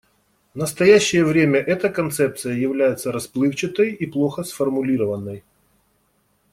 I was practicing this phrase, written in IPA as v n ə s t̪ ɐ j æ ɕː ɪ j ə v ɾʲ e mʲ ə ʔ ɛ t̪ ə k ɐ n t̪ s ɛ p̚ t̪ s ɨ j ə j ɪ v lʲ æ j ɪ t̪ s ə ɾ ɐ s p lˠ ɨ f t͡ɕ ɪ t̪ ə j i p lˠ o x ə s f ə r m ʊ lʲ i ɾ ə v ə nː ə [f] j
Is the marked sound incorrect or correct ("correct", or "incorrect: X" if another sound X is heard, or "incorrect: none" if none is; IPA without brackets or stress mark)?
incorrect: none